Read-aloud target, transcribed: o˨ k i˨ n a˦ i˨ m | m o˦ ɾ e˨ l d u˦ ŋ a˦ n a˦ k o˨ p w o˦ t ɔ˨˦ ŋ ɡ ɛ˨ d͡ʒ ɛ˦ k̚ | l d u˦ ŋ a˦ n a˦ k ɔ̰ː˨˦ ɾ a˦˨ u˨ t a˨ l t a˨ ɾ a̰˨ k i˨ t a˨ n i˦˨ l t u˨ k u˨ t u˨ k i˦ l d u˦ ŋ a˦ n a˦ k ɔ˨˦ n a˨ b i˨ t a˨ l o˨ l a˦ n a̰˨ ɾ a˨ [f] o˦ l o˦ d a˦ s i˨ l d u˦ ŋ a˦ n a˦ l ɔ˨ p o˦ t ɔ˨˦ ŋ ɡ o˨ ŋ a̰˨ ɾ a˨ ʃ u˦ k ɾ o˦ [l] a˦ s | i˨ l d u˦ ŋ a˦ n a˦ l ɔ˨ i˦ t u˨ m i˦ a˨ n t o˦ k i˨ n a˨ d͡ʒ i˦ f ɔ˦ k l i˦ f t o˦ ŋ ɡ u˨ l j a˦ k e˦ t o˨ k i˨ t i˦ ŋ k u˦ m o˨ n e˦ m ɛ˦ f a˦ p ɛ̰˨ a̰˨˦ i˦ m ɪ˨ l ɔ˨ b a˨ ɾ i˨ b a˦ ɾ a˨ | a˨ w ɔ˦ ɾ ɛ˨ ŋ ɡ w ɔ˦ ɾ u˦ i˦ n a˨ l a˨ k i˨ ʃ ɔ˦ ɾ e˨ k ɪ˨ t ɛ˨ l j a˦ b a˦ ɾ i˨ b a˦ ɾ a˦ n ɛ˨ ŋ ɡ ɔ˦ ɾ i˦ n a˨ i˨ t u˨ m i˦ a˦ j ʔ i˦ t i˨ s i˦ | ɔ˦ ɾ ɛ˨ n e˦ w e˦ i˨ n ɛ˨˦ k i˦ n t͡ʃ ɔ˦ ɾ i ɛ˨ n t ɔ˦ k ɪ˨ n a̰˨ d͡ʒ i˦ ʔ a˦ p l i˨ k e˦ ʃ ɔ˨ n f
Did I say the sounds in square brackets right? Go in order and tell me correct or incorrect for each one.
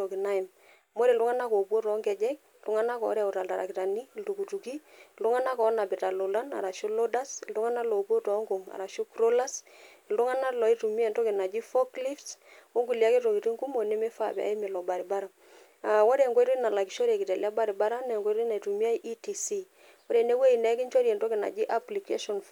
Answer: incorrect: ʃ, correct

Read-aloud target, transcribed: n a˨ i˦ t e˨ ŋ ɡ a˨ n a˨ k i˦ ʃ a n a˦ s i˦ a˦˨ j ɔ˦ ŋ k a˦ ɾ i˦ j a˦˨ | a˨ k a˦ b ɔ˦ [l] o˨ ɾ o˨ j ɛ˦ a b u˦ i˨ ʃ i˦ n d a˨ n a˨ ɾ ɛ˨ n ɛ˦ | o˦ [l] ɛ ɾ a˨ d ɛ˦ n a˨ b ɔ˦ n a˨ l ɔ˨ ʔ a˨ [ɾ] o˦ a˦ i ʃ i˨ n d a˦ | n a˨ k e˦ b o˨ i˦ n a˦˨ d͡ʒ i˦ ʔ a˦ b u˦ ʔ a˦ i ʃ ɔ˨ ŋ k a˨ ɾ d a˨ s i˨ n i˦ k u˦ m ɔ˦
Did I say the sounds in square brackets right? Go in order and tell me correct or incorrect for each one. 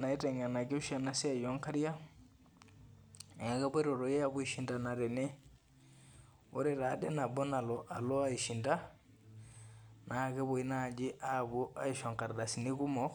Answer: incorrect: ɾ, incorrect: ɾ, incorrect: l

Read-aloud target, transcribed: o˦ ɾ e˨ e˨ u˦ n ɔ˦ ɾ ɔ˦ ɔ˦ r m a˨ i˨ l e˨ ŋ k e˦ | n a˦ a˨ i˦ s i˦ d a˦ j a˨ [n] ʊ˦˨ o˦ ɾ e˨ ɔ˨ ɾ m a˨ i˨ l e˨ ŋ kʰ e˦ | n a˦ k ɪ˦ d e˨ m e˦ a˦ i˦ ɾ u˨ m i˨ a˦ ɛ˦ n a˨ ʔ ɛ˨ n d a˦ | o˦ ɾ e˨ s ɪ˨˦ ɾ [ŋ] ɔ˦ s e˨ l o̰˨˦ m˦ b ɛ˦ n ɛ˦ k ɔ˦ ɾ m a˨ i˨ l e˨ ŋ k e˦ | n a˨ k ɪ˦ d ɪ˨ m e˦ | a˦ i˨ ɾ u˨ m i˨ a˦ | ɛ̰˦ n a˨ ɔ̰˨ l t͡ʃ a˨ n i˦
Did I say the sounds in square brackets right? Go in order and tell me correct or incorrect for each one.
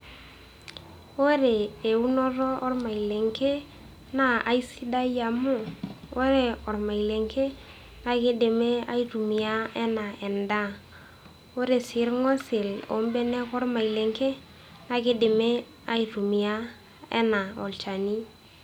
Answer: incorrect: m, correct

